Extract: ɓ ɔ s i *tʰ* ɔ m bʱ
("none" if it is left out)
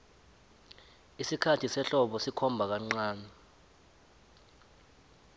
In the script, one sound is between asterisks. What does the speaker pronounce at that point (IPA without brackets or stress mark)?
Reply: kʰ